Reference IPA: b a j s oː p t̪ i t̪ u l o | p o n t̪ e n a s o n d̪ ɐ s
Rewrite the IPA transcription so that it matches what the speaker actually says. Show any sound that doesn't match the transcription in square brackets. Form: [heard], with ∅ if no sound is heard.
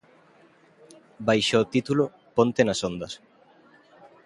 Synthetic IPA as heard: b a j [ʃ] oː [∅] t̪ i t̪ u l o | p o n t̪ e n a s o n d̪ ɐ s